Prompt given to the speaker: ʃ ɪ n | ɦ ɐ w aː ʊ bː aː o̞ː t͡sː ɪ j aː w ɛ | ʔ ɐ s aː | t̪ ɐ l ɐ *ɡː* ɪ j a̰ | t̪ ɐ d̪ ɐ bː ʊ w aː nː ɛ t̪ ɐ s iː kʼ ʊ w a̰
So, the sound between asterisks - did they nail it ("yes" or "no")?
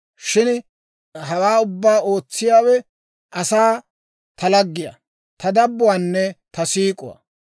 yes